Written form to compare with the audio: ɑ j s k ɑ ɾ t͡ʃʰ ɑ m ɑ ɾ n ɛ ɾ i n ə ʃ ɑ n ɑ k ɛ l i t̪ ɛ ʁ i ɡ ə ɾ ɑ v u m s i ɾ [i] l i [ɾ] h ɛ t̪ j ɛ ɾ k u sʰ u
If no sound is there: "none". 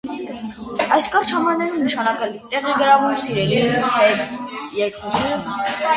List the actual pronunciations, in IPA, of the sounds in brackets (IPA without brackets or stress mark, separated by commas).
ɛ, none